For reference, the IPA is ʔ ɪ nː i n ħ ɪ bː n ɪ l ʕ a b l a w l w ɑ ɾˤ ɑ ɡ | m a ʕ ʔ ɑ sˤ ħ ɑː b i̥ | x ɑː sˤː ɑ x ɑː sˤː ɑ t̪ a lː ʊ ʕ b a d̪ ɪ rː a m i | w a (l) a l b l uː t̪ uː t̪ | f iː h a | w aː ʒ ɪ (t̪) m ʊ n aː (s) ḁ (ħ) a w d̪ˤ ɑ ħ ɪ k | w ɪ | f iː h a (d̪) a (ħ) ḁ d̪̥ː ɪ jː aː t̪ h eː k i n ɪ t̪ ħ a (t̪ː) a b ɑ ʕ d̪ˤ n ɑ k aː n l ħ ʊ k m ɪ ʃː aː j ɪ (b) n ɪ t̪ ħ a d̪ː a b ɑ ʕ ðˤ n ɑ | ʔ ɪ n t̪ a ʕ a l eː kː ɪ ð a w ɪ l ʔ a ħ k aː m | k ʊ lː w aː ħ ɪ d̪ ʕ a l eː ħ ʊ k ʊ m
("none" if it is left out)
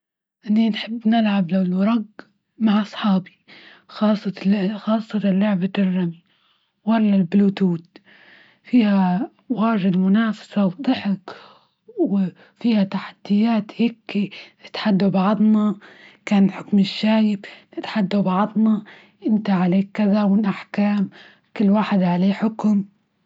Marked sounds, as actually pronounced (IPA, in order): lː, d̪, f, s, t̪, ħ, d̪ː, b

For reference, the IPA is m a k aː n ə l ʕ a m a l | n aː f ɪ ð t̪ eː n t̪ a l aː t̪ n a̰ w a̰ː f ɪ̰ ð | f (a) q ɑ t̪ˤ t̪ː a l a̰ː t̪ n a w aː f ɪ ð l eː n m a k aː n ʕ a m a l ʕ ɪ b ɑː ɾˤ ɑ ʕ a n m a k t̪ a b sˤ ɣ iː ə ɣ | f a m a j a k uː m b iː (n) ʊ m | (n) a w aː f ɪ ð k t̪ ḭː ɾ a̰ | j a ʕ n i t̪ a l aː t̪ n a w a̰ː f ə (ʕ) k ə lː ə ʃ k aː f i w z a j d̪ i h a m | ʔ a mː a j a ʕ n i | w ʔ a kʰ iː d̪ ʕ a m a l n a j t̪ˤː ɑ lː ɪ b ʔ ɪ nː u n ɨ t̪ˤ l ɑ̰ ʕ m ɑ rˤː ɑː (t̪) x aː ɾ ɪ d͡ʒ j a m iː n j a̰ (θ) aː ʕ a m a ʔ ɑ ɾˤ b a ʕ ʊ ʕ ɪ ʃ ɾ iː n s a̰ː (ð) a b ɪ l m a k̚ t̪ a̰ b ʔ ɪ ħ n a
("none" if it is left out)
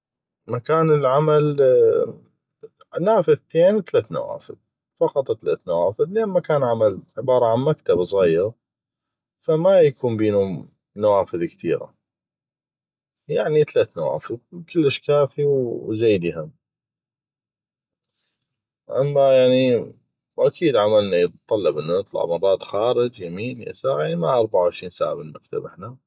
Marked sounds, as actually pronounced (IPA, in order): ɑ, n, n, ð, t̪, s, ʕ

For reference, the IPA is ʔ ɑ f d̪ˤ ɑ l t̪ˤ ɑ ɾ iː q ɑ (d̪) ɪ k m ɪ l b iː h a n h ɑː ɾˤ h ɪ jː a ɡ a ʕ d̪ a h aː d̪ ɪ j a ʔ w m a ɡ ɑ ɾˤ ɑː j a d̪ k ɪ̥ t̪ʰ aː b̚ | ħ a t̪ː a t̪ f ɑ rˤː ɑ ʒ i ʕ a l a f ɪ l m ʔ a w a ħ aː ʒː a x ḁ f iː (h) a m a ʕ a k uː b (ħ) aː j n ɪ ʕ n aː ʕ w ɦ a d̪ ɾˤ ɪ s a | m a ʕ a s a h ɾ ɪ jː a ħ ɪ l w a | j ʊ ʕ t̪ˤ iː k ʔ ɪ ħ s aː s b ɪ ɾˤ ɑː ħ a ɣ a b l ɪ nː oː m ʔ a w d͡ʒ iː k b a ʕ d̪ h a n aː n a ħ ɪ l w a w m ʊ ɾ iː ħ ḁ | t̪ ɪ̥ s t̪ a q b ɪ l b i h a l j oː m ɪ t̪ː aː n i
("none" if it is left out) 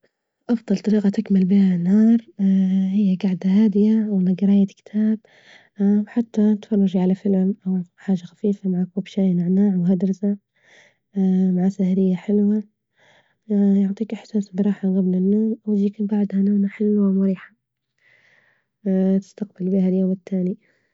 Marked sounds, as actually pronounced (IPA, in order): t̪, f, ʃ

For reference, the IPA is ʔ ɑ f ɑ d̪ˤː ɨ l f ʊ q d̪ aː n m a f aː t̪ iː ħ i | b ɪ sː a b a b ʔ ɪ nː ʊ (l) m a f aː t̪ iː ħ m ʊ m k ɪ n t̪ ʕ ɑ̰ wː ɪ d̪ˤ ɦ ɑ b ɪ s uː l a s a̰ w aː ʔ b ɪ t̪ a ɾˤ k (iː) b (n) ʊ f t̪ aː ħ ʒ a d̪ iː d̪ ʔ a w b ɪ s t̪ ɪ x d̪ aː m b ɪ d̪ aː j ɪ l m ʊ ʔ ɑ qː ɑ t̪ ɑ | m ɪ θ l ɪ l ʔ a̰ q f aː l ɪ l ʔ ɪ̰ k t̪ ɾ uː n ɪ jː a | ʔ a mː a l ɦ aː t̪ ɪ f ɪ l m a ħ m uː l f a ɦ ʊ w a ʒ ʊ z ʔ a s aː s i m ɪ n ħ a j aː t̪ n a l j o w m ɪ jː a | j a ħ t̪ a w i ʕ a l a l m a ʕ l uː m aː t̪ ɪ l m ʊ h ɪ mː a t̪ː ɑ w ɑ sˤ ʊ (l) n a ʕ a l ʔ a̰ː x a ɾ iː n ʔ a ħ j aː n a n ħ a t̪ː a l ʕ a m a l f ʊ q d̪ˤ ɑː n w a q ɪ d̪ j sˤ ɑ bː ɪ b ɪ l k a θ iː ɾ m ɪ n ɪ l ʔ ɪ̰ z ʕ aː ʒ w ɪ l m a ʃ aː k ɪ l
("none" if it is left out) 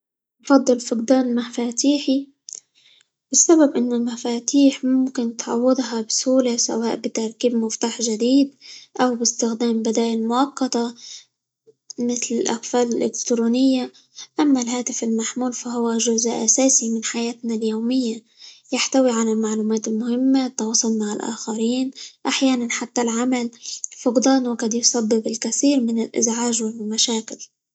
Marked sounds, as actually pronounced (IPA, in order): l, iː, m, l

